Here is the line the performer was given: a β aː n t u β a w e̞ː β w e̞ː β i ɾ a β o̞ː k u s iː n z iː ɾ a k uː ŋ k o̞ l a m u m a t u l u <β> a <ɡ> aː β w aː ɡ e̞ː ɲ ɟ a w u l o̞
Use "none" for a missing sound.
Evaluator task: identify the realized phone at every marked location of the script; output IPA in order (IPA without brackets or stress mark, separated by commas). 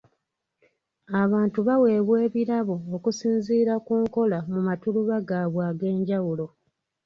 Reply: β, ɡ